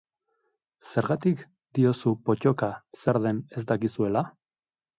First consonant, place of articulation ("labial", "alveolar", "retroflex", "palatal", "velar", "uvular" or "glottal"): alveolar